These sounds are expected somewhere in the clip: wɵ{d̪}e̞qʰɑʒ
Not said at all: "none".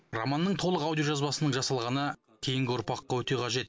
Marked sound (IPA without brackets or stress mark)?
t̪